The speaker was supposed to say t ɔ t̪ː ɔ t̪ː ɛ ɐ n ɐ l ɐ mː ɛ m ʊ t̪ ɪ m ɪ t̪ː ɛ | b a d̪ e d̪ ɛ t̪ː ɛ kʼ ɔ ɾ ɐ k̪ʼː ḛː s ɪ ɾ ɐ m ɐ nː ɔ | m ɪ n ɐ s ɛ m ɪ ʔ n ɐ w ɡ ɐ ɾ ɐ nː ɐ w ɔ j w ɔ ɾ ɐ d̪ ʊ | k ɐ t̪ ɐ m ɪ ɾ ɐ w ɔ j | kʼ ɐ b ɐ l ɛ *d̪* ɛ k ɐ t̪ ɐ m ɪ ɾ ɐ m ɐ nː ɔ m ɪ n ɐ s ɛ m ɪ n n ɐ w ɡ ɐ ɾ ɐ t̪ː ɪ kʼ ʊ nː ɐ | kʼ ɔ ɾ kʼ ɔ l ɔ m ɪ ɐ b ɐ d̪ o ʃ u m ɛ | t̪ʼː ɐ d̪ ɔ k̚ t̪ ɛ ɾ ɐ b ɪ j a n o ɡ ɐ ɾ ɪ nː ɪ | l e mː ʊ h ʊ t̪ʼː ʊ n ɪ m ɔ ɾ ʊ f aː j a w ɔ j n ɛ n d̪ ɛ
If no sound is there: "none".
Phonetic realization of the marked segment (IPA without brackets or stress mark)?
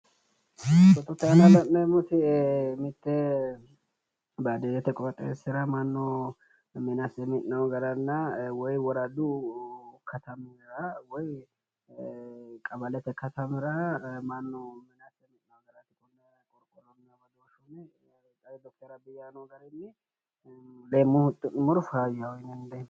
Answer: t̪